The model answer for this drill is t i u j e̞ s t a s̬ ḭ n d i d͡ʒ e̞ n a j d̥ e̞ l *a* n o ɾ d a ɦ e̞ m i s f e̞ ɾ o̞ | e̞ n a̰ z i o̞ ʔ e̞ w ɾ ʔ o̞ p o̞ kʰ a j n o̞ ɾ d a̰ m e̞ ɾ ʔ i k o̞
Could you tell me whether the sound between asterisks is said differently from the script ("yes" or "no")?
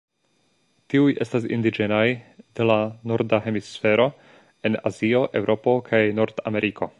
no